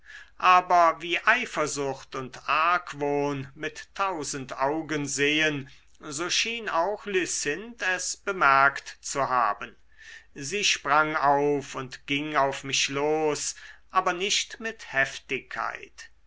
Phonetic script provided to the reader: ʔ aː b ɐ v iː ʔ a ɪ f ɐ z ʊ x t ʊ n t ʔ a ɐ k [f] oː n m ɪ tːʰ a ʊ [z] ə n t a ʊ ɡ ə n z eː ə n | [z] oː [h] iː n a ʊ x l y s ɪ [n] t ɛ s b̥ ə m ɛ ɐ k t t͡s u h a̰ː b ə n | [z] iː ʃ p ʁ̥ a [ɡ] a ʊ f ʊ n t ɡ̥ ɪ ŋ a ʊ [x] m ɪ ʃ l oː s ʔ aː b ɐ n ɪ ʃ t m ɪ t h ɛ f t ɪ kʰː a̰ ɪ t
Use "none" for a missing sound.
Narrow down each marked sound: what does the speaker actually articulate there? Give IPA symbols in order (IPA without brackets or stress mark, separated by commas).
v, z, z, ʃ, n, z, ŋ, f